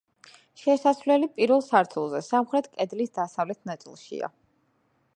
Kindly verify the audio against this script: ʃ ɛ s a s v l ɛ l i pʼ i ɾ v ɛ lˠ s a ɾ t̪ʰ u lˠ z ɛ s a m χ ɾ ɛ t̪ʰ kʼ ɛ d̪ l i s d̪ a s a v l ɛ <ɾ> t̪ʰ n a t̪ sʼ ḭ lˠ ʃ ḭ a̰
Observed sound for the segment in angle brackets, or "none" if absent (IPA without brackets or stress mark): none